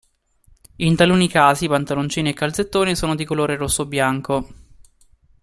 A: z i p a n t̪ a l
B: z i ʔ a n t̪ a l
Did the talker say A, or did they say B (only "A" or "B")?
A